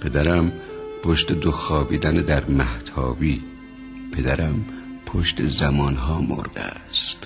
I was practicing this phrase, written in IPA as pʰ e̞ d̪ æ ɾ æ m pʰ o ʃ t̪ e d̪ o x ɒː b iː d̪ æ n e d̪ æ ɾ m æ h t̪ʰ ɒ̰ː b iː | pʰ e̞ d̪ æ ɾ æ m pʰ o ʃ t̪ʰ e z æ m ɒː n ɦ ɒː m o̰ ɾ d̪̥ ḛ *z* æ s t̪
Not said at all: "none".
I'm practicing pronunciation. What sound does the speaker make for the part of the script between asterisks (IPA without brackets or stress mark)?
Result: none